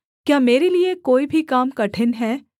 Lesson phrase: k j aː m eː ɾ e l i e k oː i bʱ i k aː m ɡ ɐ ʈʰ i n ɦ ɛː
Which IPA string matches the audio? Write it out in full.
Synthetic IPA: k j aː m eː ɾ e l i e k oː i bʱ i k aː m k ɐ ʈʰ ɪ n ɦ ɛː